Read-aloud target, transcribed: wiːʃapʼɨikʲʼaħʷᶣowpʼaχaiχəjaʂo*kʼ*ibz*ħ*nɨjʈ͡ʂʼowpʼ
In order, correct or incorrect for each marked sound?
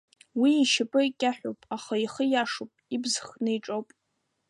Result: incorrect: pʼ, incorrect: χ

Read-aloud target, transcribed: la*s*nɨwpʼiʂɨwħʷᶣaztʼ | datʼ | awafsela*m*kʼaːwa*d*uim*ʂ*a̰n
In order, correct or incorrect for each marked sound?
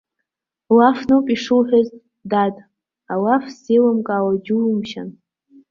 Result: incorrect: f, correct, incorrect: d͡ʒ, incorrect: ʃ

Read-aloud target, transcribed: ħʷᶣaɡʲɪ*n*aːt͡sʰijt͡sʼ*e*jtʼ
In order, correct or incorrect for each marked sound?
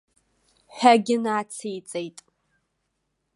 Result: correct, correct

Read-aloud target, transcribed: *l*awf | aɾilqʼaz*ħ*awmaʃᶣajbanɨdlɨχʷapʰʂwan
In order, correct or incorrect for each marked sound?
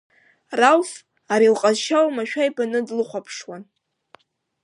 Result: incorrect: r, incorrect: ʃ

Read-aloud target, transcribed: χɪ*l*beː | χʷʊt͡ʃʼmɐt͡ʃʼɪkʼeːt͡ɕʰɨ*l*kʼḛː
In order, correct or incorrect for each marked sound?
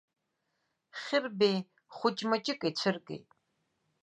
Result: incorrect: r, incorrect: r

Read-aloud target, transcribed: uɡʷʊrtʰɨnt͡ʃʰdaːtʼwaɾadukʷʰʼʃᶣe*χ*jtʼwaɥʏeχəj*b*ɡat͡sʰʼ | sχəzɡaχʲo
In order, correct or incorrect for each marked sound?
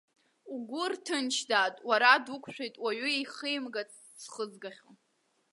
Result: incorrect: none, incorrect: m

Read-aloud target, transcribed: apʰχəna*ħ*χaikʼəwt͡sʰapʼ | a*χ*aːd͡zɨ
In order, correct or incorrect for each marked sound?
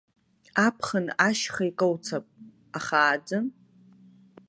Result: incorrect: ʃ, correct

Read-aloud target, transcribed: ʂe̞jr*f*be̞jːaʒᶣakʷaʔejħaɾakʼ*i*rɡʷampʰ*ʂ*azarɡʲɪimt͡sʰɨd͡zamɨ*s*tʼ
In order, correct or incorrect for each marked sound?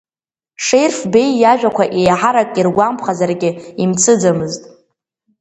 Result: correct, correct, incorrect: χ, incorrect: z

